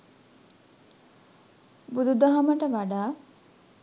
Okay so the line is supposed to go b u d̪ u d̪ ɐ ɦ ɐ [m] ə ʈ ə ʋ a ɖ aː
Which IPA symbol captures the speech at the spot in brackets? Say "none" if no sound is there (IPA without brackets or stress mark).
m